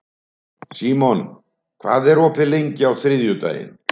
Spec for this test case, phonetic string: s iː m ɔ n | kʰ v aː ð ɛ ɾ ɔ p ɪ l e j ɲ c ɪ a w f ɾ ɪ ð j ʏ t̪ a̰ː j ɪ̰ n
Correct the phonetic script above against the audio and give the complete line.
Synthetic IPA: s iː m ɔ n | kʰ v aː ð ɛ ɾ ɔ p ɪ l e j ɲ c ɪ a w θ ɾ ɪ ð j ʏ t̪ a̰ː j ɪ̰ n